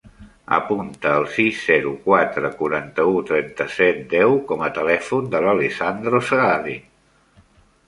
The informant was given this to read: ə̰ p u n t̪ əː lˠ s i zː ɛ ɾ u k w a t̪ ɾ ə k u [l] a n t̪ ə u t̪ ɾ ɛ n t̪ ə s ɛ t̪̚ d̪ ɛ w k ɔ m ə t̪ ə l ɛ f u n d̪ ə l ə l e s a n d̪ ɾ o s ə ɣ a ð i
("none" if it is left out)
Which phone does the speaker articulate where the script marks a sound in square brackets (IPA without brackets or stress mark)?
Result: ɾ